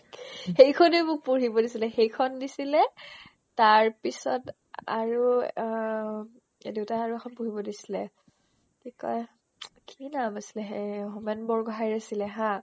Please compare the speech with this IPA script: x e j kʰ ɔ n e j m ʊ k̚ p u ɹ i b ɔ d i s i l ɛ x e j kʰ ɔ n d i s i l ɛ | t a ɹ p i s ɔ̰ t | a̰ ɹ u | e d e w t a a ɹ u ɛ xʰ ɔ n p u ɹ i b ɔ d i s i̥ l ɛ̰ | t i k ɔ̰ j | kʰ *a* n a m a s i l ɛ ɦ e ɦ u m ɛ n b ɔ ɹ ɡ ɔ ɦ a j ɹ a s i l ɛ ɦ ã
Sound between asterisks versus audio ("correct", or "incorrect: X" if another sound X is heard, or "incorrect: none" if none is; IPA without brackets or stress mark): incorrect: i